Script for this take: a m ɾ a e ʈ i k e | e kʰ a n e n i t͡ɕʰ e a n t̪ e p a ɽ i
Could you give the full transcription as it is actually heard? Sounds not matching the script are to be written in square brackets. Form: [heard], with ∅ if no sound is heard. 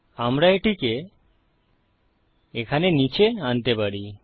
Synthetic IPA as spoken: a m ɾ a e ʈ i k e | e kʰ a n e n i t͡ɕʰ e a n t̪ e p a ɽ i